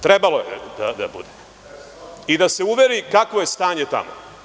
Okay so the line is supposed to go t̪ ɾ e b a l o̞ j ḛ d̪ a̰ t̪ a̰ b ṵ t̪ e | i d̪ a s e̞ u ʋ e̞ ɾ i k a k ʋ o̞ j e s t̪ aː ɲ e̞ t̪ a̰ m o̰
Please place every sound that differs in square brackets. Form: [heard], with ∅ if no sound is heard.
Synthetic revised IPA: t̪ ɾ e b a l o̞ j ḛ d̪ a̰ [d̪] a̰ b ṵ [d̪] e | i d̪ a s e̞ u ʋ e̞ ɾ i k a k ʋ o̞ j e s t̪ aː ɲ e̞ t̪ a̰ m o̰